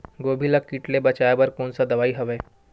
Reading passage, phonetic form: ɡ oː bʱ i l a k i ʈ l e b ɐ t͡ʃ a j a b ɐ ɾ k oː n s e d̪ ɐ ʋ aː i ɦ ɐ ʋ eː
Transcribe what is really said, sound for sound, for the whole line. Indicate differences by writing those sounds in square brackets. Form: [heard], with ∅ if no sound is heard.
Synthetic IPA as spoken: ɡ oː bʱ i l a k i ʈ l e b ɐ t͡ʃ a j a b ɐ ɾ k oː n s [a] d̪ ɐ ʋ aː i ɦ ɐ ʋ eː